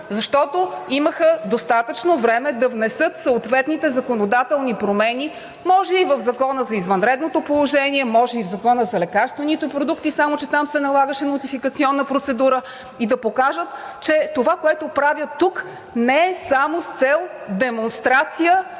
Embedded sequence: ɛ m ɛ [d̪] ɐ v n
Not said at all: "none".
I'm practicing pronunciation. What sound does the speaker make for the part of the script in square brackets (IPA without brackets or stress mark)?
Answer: d̪